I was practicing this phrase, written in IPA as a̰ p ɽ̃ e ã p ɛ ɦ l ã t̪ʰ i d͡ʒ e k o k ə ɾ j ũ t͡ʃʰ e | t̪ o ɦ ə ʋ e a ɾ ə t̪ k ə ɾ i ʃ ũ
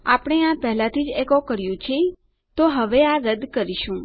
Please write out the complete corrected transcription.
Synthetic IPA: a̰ p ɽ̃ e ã p ɛ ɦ l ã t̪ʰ i d͡ʒ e k o k ə ɾ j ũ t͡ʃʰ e | t̪ o ɦ ə ʋ e a ɾ ə d̪ k ə ɾ i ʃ ũ